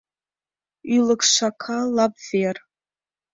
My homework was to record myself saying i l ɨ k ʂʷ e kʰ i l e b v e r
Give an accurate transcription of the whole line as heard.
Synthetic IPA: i l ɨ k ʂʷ a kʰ a l a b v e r